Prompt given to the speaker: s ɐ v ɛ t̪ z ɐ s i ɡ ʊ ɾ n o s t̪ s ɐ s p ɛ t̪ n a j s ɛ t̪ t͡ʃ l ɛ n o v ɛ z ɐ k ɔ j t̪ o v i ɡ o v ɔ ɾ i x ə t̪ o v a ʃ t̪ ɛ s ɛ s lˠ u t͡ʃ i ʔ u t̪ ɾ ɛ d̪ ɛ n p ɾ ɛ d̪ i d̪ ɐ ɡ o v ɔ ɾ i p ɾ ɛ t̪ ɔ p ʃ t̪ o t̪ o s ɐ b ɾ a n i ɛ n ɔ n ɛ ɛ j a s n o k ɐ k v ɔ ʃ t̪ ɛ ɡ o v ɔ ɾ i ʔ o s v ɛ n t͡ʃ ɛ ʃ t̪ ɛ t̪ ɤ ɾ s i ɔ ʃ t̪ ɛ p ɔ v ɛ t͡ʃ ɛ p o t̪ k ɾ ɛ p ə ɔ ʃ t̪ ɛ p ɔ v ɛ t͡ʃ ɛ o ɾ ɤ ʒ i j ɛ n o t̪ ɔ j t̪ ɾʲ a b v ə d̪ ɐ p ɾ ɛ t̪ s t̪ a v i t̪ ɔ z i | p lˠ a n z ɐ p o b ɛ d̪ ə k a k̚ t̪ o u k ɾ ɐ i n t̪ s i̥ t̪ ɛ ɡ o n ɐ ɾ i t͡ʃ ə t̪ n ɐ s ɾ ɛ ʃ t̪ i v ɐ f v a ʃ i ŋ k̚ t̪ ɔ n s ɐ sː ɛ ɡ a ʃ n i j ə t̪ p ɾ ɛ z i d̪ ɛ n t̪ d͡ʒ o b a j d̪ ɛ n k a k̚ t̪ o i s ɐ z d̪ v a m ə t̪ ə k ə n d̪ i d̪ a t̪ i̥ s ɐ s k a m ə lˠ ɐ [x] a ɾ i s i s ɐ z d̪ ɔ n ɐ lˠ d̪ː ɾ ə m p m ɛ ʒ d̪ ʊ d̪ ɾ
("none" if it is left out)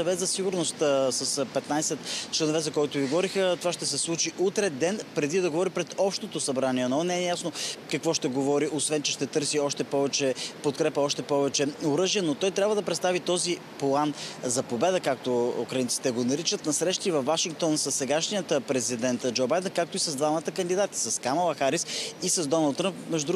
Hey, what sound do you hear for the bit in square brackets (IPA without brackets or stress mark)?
x